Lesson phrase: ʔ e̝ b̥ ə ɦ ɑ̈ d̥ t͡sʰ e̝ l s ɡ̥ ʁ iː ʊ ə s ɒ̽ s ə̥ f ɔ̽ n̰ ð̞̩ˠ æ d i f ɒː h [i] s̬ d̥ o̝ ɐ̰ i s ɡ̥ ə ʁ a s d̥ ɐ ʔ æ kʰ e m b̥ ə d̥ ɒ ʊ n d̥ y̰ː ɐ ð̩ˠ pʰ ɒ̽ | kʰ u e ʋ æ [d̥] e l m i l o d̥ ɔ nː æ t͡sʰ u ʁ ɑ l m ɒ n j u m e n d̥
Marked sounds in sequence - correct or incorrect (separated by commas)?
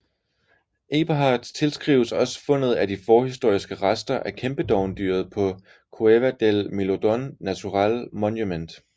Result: correct, correct